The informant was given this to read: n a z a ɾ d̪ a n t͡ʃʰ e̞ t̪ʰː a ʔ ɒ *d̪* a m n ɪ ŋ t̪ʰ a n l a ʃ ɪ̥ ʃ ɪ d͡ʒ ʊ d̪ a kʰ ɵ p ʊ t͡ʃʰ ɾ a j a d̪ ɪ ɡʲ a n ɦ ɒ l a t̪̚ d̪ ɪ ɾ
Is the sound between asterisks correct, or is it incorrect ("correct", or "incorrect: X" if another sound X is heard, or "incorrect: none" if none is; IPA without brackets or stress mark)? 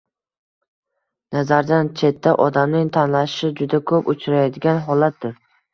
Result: correct